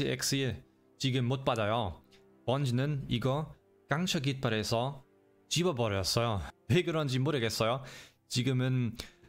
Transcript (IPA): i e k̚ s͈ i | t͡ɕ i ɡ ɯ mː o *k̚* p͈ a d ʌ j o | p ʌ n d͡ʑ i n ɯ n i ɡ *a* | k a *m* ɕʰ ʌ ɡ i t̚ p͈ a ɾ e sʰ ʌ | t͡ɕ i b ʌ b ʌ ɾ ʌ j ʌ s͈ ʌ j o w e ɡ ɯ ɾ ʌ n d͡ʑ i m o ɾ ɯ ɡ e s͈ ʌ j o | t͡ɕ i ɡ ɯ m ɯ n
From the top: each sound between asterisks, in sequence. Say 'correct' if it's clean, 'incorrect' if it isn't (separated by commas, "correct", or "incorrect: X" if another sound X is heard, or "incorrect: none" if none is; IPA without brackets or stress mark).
incorrect: t̚, incorrect: ʌ, incorrect: ŋ